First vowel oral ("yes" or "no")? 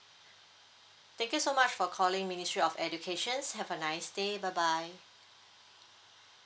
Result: no